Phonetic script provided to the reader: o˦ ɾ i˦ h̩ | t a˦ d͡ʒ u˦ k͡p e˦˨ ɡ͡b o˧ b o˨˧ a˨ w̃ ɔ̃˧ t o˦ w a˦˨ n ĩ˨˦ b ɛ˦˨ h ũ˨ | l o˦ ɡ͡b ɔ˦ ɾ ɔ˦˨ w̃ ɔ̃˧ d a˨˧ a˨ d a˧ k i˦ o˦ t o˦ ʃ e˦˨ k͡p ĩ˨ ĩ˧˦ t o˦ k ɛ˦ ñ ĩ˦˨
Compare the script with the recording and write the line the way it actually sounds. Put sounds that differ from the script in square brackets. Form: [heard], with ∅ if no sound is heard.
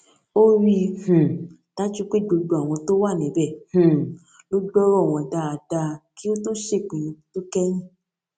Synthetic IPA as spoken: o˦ ɾ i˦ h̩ | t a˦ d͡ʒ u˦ k͡p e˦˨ ɡ͡b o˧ [ɡ͡b] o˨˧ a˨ w̃ ɔ̃˧ t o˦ w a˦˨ n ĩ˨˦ b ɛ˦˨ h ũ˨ | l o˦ ɡ͡b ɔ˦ ɾ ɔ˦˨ w̃ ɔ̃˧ d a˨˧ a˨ d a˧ k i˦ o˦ t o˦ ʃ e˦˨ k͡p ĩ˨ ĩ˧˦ t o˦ k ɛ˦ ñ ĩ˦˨